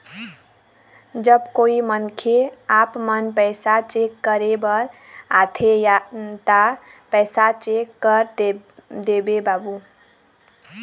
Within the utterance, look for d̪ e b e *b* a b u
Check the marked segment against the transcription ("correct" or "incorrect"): correct